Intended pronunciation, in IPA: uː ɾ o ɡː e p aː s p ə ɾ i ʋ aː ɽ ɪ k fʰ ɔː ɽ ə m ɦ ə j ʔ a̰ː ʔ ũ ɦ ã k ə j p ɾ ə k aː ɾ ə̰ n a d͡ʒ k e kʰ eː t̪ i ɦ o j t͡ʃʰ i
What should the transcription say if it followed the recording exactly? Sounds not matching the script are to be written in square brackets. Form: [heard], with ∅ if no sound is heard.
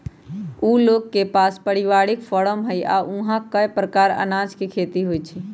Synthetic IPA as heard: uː [l] o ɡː e p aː s p ə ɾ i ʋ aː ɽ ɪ k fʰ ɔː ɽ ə m ɦ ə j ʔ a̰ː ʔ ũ ɦ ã k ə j p ɾ ə k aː ɾ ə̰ n a d͡ʒ k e kʰ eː t̪ i ɦ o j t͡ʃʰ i